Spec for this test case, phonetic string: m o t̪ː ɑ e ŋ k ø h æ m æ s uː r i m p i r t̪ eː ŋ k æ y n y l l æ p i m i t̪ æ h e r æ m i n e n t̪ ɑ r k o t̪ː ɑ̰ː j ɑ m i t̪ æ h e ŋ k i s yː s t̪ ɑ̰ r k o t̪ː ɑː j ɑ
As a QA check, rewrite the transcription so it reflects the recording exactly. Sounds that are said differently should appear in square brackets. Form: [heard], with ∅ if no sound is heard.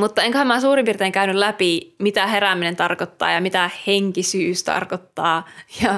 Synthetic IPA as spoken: m [u] t̪ː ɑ e ŋ k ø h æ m æ s uː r i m p i r t̪ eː ŋ k æ y n y l l æ p i m i t̪ æ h e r æ m i n e n t̪ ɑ r k o t̪ː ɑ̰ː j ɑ m i t̪ æ h e ŋ k i s yː s t̪ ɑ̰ r k o t̪ː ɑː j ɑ